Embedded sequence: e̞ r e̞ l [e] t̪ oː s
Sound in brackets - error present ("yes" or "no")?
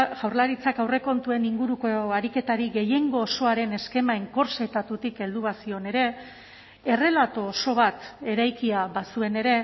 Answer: yes